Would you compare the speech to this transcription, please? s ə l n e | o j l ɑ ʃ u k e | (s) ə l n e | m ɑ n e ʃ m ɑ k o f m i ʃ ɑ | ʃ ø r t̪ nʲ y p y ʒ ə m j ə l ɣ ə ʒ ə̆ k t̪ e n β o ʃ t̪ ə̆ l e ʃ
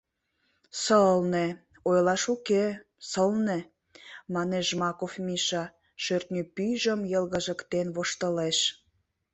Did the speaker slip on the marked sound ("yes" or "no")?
no